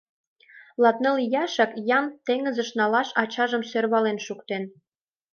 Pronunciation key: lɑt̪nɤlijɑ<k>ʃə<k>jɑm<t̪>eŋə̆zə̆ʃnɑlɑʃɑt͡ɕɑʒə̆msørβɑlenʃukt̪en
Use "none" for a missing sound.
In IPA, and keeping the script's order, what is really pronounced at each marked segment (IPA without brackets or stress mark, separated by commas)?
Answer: none, k, t̪